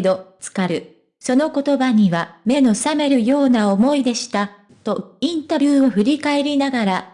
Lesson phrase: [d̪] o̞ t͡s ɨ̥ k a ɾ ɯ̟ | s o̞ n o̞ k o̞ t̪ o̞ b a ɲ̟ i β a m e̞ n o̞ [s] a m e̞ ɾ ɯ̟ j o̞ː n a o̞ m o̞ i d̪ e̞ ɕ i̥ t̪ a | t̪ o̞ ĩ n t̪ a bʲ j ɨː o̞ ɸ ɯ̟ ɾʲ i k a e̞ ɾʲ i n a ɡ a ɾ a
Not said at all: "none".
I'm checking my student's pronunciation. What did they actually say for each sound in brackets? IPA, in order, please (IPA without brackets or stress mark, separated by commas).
d̪, s